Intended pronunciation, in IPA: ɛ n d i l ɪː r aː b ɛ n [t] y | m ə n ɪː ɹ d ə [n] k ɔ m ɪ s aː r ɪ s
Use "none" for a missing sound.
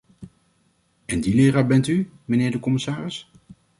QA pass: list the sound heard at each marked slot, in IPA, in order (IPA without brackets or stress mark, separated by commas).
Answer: t, none